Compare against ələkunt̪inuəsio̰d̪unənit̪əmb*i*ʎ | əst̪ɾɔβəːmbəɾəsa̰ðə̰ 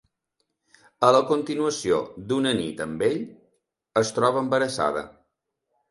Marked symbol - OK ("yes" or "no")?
no